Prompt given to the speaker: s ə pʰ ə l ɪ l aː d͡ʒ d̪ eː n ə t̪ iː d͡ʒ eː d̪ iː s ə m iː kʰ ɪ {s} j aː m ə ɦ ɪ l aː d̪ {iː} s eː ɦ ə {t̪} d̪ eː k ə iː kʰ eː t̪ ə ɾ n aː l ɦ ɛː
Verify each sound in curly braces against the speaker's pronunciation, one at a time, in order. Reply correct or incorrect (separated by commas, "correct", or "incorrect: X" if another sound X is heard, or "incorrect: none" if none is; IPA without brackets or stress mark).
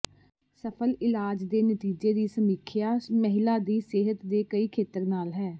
incorrect: none, correct, correct